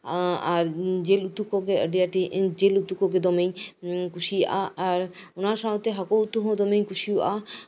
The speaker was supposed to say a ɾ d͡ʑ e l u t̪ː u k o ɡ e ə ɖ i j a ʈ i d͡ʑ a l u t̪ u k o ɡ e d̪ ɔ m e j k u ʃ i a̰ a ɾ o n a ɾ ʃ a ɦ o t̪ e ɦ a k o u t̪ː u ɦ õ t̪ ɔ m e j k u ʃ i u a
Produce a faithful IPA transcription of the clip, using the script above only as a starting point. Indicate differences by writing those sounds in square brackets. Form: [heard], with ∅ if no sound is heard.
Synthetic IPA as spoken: a ɾ d͡ʑ e l u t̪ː u k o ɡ e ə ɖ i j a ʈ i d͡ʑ [e] l u t̪ u k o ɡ e d̪ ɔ m e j k u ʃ i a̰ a ɾ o n a ɾ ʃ a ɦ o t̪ e ɦ a k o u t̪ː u ɦ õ [d̪] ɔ m e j k u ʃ i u a

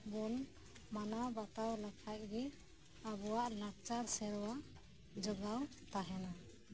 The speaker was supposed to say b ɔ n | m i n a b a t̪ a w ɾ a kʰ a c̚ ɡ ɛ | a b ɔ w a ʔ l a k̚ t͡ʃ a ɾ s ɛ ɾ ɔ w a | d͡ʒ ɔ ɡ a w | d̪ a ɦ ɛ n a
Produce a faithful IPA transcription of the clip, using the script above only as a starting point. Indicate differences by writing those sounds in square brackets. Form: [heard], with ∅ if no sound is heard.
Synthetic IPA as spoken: b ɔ n | m [a] n a b a t̪ a w [l] a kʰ a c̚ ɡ ɛ | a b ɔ w a ʔ l a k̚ t͡ʃ a ɾ s ɛ ɾ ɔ w a | d͡ʒ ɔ ɡ a w | [t̪] a ɦ ɛ n a

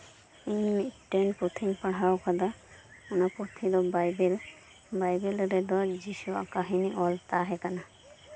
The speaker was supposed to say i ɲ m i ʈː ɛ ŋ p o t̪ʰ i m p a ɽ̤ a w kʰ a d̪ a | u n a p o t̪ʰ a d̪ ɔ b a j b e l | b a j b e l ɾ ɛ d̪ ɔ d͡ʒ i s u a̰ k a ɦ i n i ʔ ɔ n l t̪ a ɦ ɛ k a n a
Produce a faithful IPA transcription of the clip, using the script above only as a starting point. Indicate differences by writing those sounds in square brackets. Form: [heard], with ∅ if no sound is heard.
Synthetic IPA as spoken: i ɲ m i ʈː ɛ [n] p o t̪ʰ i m p a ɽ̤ a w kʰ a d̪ a | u n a p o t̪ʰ [i] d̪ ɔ b a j b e l | b a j b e l ɾ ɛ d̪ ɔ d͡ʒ i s u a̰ k a ɦ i n i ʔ ɔ [∅] l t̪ a ɦ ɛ k a n a

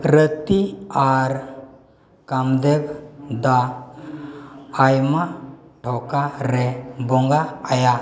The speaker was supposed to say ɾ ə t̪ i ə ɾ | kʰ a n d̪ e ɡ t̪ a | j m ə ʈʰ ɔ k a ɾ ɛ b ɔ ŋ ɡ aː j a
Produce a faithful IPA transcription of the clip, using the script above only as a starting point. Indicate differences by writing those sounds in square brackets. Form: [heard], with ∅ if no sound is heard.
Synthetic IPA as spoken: ɾ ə t̪ i [a] ɾ | [k] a [m] d̪ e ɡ [d̪] a | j m [a] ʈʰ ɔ k a ɾ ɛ b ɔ ŋ ɡ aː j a

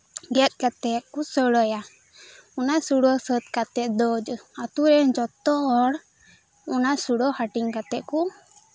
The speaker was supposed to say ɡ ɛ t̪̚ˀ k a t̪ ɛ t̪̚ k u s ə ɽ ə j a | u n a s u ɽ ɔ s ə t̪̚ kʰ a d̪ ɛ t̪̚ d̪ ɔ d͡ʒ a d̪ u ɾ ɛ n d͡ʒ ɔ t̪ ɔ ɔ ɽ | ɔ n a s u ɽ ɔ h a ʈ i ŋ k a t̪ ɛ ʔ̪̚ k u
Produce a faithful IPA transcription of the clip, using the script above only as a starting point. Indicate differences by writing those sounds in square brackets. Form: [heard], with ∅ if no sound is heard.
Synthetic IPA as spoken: ɡ ɛ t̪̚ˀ k a t̪ ɛ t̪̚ k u s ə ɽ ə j a | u n a s u ɽ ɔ s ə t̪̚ [k] a [t̪] ɛ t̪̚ d̪ ɔ d͡ʒ a [t̪] u ɾ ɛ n d͡ʒ ɔ t̪ ɔ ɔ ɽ | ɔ n a s u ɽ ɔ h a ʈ i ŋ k a t̪ ɛ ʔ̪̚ k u

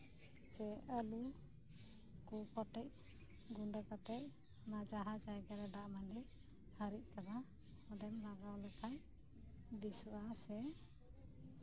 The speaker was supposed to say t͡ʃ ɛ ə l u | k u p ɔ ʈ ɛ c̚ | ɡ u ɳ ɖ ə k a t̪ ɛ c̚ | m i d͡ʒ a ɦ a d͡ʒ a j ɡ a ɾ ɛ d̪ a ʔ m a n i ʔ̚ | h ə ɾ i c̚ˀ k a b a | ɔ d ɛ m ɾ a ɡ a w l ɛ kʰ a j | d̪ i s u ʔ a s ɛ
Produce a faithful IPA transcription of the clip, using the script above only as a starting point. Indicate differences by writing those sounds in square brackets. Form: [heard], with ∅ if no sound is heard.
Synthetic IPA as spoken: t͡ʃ ɛ ə l u | k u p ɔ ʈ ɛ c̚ | ɡ u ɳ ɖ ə k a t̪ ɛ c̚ | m [a] d͡ʒ a ɦ a d͡ʒ a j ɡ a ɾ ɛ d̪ a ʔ m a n i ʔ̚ | h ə ɾ i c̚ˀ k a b a | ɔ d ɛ m ɾ a ɡ a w l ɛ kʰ a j | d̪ i s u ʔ a s ɛ

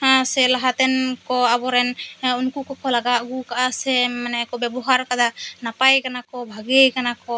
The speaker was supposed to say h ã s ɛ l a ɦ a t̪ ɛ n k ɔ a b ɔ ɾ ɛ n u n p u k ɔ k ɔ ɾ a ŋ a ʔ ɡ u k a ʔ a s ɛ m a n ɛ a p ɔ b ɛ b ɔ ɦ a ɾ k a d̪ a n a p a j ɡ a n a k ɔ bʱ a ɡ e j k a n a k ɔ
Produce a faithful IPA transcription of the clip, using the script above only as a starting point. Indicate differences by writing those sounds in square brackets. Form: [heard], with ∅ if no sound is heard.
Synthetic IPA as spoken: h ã s ɛ l a ɦ a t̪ ɛ n k ɔ a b ɔ ɾ ɛ n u n [k] u k ɔ k ɔ [l] a [ɡ] a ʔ ɡ u k a ʔ a s ɛ m a n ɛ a [k] ɔ b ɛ b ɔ ɦ a ɾ k a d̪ a n a p a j [k] a n a k ɔ bʱ a ɡ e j k a n a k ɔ

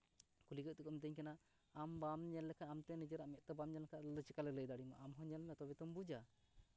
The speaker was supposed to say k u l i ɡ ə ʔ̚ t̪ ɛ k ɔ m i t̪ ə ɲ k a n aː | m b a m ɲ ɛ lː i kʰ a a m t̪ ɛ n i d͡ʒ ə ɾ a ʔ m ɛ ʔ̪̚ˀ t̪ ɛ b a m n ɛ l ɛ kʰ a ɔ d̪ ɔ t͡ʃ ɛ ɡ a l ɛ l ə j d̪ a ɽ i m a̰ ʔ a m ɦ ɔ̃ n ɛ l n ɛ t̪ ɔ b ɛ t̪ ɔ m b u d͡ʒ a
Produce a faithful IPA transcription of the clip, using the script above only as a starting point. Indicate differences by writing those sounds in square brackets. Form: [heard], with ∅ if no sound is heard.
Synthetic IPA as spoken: k u l i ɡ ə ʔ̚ t̪ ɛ k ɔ m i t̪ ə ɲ k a n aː | m b a m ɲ ɛ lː [ɛ] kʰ a a m t̪ ɛ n i d͡ʒ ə ɾ a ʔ m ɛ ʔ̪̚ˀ t̪ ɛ b a m [ɲ] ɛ l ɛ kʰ a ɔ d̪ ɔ t͡ʃ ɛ [k] a l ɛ l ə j d̪ a ɽ i m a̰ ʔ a m ɦ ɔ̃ [ɲ] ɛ l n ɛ t̪ ɔ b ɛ t̪ ɔ m b u d͡ʒ a

